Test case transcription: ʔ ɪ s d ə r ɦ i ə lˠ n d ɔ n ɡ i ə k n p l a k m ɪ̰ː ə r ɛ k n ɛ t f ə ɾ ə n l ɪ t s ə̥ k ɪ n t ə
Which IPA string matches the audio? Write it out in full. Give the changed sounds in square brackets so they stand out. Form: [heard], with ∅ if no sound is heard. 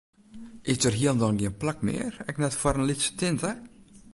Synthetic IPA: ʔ ɪ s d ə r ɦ i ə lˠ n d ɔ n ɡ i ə [∅] n p l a k m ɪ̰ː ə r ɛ k n ɛ t f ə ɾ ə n l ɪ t s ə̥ [t] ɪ n t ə